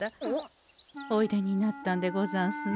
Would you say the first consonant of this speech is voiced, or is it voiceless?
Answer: voiced